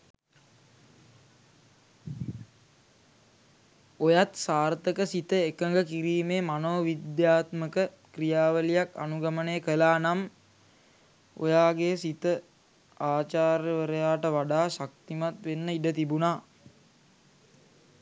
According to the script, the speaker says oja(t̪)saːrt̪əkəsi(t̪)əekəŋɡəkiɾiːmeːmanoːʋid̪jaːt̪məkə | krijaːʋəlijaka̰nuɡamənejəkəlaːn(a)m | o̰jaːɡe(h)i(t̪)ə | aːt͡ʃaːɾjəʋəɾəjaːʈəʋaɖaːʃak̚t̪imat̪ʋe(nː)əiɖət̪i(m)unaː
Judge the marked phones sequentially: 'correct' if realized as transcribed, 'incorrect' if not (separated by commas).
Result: correct, correct, correct, incorrect, correct, correct, incorrect